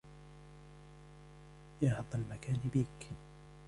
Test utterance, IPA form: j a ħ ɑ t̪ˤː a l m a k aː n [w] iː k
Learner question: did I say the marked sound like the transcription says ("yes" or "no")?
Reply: no